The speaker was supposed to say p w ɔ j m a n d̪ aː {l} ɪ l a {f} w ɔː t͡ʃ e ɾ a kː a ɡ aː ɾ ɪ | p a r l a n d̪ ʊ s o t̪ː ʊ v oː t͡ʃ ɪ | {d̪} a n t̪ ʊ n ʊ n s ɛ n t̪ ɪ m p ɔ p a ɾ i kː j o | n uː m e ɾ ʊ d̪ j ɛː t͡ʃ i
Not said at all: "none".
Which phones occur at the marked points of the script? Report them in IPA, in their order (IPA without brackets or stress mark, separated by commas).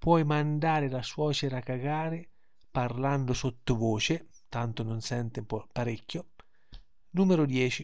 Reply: ɾ, s, t̪